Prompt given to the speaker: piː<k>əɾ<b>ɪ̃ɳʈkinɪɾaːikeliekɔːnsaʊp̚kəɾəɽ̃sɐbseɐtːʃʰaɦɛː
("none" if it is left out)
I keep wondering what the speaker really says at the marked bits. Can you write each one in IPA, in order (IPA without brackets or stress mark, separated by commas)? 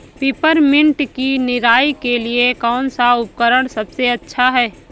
p, m